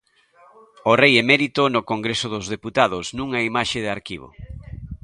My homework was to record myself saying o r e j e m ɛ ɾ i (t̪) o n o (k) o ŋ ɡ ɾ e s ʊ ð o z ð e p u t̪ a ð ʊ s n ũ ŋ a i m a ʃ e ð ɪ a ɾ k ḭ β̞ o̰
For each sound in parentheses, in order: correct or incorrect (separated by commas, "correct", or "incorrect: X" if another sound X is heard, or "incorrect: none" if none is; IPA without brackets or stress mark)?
correct, correct